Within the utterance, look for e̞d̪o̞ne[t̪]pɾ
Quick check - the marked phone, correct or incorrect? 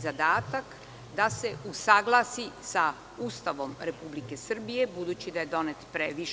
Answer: correct